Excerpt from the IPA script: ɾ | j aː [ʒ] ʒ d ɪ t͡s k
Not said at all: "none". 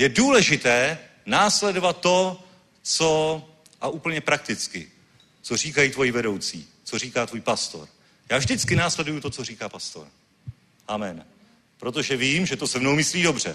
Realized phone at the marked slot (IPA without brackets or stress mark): v